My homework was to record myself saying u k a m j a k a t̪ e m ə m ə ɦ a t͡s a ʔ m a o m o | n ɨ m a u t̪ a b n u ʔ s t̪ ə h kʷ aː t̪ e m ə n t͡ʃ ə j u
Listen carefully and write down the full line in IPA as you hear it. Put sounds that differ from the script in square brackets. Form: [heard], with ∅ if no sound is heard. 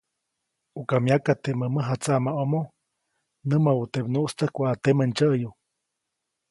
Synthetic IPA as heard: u k a m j a k a t̪ e m ə m ə ɦ a t͡s a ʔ m a o m o | n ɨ m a u t̪ [e] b n u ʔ s t̪ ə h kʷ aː t̪ e m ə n t͡ʃ ə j u